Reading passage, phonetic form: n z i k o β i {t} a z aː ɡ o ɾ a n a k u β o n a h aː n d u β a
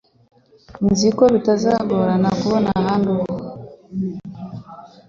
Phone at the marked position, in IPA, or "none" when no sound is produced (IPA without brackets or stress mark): t